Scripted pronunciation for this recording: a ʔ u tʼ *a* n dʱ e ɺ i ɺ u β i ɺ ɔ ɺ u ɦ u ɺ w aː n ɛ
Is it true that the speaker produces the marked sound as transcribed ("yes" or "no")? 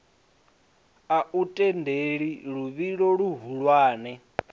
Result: no